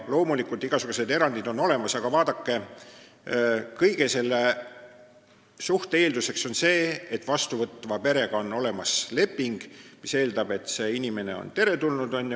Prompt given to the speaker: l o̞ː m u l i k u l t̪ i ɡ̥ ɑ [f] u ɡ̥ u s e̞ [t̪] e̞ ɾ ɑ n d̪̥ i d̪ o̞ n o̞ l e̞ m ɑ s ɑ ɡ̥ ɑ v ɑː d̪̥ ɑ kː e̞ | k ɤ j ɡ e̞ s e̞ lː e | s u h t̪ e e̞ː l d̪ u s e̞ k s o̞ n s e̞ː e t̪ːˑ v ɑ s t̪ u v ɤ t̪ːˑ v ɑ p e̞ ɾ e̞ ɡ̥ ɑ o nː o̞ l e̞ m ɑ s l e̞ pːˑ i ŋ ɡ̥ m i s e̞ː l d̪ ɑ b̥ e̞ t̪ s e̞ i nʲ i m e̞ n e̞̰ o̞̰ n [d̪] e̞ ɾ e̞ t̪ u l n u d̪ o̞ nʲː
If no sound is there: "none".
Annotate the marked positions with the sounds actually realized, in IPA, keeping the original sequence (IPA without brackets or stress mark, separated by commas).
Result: s, d̪, t̪